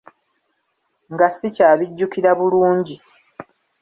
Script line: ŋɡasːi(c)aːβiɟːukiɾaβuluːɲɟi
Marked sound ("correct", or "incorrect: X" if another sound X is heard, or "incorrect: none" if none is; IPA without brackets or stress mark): correct